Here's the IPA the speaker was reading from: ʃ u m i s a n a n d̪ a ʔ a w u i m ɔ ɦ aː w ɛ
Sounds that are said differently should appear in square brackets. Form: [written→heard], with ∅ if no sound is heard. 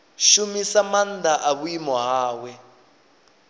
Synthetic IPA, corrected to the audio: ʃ u m i s a [n→m] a n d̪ a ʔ a [w→β] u i m ɔ ɦ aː w ɛ